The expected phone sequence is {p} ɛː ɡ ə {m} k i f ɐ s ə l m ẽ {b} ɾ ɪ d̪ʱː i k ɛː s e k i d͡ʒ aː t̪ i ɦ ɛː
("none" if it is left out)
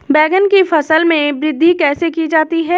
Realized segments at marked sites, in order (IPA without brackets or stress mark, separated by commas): b, n, b